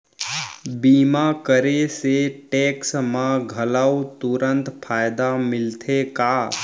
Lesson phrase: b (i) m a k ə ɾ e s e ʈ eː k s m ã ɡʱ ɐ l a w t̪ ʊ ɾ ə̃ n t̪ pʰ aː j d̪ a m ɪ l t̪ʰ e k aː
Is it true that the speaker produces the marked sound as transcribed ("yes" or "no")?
no